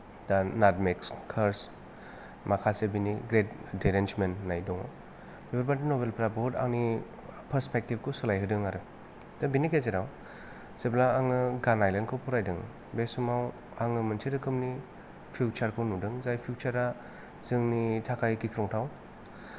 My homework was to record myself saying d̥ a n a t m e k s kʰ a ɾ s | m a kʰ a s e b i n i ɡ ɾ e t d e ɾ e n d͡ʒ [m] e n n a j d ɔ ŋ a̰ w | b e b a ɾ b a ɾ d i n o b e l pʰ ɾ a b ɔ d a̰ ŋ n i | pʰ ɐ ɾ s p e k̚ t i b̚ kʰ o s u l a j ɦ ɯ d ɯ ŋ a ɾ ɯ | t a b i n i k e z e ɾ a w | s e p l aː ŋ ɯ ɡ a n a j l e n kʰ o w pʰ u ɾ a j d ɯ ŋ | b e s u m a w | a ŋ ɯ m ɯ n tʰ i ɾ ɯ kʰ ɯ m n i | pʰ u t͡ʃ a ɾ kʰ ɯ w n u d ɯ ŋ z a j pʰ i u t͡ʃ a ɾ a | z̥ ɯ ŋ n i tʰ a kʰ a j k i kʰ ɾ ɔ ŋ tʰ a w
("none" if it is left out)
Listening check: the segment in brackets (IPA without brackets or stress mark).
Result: m